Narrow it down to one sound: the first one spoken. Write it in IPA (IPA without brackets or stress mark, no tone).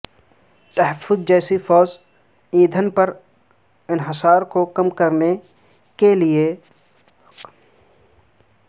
t̪